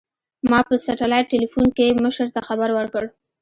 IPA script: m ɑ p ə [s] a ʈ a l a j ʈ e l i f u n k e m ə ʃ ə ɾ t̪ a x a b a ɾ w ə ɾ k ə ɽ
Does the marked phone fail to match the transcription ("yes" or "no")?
no